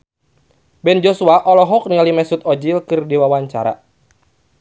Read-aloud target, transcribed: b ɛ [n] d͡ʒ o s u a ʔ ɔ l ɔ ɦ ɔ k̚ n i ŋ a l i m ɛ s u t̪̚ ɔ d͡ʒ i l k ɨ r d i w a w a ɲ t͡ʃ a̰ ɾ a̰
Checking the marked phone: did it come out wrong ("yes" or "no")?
no